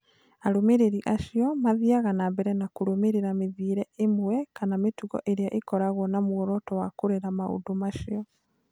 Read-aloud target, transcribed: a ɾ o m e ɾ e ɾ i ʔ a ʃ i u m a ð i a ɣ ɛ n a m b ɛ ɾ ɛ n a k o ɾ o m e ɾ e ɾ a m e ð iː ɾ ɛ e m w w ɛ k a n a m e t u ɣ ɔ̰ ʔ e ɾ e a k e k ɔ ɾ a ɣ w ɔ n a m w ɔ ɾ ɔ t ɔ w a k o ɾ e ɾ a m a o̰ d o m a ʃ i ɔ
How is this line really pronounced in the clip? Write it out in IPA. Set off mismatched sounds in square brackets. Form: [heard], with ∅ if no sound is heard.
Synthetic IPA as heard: a ɾ o m e ɾ e ɾ i ʔ a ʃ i [ɔ] m a ð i a ɣ [a] n a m b ɛ ɾ ɛ n a k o ɾ o m e ɾ e ɾ a m e ð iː ɾ ɛ e m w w ɛ k a n a m e t u ɣ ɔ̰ ʔ e ɾ e a [ʔ] e k ɔ ɾ a ɣ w ɔ n a m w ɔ ɾ ɔ t ɔ w a k o ɾ e ɾ a m a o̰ d o m a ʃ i ɔ